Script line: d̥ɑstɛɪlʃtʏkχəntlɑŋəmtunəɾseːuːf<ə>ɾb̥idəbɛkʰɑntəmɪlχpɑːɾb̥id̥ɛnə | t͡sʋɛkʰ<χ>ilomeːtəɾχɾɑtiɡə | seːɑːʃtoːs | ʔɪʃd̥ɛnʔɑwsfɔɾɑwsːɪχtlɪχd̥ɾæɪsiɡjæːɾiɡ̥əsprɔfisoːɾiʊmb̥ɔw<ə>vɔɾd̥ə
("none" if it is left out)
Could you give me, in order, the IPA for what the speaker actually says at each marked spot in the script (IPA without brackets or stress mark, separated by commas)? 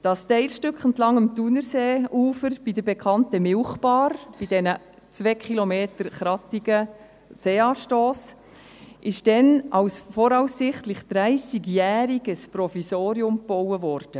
ə, χ, ə